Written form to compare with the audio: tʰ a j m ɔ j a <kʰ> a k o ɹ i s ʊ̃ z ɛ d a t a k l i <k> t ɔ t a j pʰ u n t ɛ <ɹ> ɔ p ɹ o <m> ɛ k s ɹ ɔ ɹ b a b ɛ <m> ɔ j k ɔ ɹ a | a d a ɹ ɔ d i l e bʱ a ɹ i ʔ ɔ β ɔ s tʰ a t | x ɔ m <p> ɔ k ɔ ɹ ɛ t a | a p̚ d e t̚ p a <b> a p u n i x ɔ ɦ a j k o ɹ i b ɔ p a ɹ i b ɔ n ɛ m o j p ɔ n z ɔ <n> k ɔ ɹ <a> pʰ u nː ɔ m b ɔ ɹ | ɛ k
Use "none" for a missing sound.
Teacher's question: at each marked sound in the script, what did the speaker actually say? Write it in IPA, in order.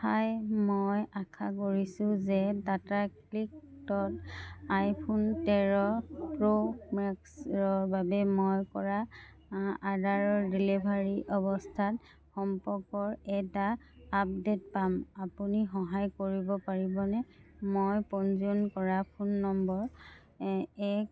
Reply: kʰ, k, ɹ, m, m, p, m, n, a

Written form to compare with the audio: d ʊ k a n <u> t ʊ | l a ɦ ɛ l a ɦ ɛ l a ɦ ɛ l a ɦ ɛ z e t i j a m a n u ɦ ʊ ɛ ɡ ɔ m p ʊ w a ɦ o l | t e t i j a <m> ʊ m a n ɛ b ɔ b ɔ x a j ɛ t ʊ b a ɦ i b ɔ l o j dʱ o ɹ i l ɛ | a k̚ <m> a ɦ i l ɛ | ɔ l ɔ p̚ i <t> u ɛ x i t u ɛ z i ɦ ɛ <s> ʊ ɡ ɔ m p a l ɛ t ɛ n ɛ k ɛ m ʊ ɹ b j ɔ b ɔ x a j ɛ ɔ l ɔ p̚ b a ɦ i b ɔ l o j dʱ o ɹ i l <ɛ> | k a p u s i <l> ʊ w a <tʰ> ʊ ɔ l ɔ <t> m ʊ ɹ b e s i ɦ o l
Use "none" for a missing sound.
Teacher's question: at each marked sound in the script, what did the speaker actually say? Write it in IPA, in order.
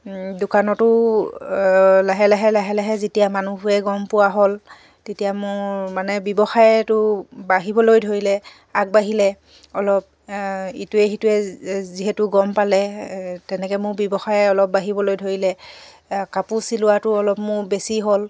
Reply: ɔ, m, b, t, t, ɛ, l, t, p

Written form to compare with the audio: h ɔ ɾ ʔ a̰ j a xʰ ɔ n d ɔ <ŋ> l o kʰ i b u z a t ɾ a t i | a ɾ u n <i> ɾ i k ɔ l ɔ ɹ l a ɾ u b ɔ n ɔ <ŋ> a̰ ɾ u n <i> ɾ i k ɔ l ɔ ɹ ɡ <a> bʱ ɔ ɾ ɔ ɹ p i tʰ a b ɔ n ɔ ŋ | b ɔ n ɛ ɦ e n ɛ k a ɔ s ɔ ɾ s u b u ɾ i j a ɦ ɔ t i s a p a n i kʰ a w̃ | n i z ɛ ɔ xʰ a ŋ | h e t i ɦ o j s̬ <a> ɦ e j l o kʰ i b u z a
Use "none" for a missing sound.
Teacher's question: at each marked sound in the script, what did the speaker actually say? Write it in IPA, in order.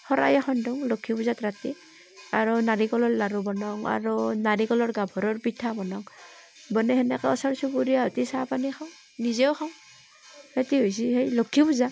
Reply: ŋ, a, ŋ, a, a, i

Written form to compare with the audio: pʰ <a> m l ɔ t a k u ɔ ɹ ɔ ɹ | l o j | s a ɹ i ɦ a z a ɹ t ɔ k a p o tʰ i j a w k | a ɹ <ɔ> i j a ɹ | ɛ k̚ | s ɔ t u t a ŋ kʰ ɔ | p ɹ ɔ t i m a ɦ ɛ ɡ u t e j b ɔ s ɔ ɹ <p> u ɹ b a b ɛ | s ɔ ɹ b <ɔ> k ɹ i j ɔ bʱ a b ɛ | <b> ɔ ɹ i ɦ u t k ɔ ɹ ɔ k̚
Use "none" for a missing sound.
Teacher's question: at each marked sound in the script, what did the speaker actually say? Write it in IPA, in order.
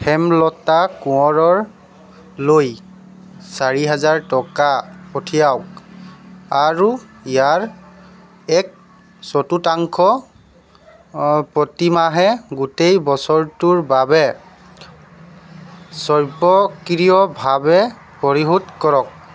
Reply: ɛ, u, t, ɔ, p

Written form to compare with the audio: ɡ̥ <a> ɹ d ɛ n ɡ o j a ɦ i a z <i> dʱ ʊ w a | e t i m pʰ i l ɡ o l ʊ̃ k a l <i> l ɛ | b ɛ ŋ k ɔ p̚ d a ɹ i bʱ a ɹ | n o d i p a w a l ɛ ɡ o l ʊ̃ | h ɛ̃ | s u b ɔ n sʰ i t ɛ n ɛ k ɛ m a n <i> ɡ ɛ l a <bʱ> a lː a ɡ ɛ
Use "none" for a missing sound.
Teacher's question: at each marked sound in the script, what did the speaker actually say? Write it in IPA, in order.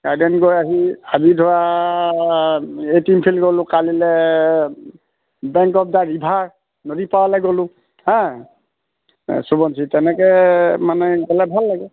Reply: a, i, i, ɛ, bʱ

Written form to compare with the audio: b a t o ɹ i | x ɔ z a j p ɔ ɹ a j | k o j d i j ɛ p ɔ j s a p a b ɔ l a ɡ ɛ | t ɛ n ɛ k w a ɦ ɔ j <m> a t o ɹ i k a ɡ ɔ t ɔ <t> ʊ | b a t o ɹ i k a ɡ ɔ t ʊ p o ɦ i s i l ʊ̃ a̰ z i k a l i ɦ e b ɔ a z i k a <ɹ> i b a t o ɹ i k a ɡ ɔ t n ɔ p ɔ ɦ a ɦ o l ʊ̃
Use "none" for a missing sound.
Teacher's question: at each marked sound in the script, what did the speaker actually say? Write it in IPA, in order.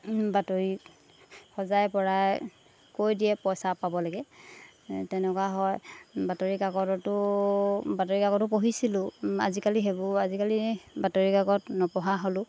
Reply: b, t, l

